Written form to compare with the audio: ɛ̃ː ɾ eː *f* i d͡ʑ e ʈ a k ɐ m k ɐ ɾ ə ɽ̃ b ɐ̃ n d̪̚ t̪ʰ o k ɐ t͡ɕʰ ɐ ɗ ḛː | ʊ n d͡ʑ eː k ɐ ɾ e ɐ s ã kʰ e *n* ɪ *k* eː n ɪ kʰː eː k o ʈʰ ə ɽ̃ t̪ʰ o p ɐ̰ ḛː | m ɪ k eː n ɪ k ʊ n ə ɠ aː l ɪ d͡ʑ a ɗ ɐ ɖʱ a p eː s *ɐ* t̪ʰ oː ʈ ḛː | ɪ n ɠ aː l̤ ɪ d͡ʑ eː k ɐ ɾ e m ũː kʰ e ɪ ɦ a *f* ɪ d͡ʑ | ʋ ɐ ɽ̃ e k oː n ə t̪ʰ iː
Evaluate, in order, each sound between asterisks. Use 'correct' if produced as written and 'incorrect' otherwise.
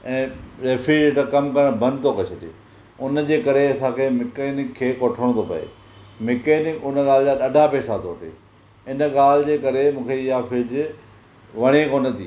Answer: correct, incorrect, correct, incorrect, correct

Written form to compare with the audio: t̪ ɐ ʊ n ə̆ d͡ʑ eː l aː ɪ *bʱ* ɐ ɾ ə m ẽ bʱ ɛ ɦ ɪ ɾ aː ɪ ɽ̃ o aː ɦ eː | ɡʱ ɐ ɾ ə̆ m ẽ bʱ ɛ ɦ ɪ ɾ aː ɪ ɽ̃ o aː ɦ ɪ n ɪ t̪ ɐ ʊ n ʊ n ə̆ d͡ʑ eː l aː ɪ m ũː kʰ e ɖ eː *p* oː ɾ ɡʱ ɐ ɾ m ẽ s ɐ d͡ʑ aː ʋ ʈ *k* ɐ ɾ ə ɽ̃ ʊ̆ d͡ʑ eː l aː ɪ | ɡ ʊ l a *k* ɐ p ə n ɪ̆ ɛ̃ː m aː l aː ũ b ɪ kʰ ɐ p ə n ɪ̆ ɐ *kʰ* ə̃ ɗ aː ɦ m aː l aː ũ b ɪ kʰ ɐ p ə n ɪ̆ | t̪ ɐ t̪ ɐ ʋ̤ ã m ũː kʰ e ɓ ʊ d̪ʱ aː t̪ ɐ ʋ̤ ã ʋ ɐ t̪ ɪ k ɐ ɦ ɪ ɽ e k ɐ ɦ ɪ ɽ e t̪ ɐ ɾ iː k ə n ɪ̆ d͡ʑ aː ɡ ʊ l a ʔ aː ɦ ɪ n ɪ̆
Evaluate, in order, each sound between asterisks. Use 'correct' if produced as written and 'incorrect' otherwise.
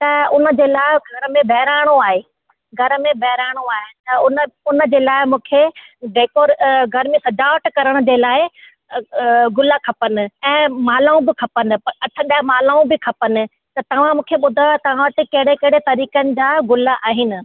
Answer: incorrect, incorrect, correct, incorrect, incorrect

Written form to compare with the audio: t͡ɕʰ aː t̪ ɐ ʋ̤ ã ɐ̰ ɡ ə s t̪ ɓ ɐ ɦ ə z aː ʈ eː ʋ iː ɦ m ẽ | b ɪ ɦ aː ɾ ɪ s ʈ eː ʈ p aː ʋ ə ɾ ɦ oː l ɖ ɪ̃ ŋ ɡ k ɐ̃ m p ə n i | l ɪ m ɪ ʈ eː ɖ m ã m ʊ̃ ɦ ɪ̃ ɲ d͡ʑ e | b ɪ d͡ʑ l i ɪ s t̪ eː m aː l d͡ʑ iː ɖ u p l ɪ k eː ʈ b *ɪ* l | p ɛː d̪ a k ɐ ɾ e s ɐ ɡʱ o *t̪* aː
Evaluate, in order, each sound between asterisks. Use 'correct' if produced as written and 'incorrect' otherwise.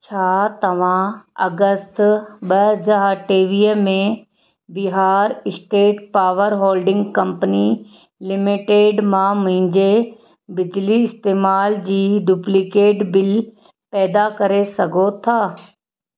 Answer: correct, incorrect

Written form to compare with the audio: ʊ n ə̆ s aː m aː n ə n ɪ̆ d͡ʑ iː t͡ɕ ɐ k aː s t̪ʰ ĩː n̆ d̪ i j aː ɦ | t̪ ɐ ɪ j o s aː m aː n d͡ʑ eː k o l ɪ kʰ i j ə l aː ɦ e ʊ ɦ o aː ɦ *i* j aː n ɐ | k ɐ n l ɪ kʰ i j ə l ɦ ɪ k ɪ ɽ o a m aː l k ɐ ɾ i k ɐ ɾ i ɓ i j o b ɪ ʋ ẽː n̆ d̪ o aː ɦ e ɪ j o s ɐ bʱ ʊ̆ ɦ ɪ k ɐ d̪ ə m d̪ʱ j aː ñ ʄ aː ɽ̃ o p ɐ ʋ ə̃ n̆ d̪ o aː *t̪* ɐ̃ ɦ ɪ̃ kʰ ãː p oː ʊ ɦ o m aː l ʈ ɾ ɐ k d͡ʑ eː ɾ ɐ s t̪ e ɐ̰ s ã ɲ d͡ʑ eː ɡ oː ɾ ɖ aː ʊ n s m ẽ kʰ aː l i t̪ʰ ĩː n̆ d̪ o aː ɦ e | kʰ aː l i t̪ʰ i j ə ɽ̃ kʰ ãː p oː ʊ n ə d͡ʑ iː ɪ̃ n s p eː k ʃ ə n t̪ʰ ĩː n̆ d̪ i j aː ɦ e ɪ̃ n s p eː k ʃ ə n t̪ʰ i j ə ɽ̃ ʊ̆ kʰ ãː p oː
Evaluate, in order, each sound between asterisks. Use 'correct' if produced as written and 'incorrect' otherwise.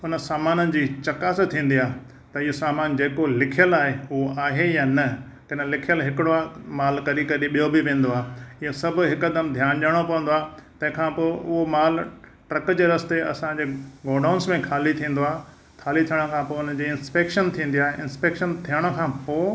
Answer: incorrect, correct

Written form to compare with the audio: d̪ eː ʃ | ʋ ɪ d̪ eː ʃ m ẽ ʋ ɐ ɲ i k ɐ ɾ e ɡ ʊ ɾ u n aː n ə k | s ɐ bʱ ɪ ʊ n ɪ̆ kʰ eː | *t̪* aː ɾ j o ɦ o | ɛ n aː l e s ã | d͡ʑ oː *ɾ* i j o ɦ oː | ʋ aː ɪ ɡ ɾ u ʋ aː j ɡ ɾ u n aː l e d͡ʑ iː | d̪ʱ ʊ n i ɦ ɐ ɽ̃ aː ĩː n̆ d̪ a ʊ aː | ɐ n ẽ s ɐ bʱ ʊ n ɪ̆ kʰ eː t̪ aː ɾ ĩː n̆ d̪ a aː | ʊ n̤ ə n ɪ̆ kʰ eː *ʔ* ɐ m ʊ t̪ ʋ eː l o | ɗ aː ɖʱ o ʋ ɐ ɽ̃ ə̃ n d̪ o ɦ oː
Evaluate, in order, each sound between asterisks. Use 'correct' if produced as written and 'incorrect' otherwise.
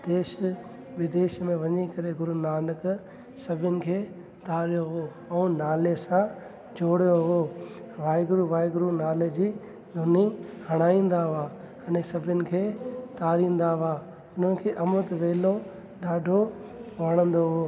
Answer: correct, incorrect, correct

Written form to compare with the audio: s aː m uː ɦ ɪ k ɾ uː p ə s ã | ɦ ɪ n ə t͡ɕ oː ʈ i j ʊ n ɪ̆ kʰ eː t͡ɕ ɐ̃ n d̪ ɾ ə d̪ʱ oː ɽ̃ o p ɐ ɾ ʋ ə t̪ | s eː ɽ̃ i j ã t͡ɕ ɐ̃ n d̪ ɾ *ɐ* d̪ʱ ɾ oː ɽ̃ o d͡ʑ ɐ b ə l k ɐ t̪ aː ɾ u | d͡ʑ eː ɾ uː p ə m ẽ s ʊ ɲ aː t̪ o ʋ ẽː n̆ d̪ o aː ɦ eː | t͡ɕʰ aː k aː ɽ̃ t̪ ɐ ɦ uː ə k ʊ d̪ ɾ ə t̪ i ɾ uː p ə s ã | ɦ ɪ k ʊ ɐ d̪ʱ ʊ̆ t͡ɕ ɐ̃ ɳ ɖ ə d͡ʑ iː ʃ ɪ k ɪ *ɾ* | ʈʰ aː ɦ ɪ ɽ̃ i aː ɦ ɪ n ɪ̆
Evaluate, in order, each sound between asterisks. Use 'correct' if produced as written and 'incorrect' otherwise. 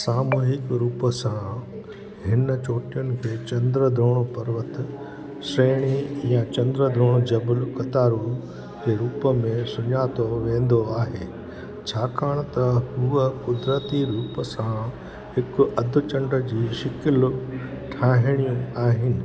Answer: incorrect, incorrect

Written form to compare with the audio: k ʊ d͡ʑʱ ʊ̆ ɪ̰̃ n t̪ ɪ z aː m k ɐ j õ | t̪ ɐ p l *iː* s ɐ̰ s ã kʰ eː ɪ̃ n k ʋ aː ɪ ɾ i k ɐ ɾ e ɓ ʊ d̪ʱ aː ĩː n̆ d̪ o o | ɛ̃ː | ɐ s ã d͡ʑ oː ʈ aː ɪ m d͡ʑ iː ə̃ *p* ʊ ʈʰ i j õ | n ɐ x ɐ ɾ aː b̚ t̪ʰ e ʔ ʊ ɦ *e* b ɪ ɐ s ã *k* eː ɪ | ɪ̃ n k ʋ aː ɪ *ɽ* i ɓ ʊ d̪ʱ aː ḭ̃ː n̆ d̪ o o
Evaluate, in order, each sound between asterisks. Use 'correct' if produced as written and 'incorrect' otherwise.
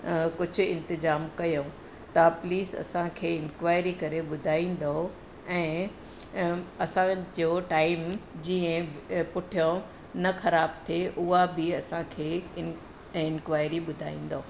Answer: correct, correct, incorrect, incorrect, incorrect

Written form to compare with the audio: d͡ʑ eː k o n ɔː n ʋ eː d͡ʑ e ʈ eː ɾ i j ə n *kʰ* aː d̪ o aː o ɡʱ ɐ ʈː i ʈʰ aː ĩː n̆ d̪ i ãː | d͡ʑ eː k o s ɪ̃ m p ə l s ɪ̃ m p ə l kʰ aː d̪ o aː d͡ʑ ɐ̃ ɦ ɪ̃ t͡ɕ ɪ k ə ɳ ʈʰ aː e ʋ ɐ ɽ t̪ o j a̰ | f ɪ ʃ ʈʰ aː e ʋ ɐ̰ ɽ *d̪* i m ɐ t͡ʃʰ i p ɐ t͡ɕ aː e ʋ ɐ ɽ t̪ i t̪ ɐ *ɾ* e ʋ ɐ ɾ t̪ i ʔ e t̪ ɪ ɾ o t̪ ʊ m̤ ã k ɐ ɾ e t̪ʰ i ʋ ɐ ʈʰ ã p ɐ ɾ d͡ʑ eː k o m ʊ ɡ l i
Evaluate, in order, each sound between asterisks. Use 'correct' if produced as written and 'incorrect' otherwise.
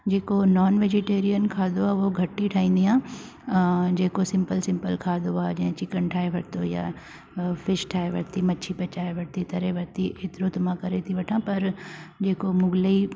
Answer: correct, incorrect, correct

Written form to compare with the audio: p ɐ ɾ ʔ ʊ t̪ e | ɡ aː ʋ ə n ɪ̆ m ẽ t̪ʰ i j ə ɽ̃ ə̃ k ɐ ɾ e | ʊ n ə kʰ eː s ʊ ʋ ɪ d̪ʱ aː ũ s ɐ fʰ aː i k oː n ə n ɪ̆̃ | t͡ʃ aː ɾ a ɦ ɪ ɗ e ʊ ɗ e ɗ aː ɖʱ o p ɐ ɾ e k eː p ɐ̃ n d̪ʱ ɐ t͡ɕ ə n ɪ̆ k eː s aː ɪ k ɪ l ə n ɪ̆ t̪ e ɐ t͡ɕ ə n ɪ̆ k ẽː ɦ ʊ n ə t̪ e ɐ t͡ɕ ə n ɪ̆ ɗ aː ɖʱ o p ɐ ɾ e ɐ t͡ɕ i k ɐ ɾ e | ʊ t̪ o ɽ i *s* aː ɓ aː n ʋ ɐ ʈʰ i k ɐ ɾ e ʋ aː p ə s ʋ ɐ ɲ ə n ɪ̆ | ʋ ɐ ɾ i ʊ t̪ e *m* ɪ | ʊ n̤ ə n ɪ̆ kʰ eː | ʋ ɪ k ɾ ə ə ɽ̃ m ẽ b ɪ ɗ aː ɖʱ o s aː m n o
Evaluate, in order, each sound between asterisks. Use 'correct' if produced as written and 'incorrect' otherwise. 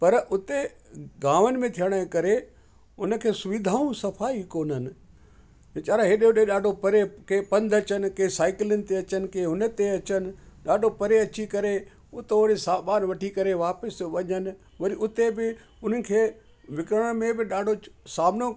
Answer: correct, incorrect

